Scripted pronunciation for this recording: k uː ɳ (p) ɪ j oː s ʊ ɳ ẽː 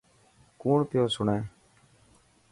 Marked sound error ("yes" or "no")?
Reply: no